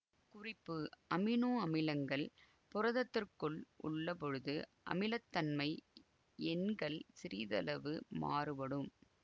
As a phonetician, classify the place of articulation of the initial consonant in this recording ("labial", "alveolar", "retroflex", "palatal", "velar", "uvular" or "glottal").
velar